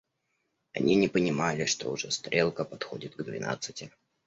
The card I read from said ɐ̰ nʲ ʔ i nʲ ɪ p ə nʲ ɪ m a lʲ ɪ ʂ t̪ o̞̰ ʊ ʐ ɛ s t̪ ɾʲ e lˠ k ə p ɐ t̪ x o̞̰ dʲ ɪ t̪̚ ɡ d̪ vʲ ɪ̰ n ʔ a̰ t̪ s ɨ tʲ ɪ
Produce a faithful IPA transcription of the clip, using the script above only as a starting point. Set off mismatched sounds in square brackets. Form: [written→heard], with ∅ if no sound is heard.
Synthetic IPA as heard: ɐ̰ nʲ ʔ i nʲ ɪ p ə nʲ ɪ m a lʲ ɪ ʂ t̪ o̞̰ ʊ ʐ ɛ s t̪ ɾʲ e lˠ k ə p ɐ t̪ x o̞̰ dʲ ɪ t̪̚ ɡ d̪ vʲ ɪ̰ n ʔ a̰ t̪ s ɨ tʲ ɪ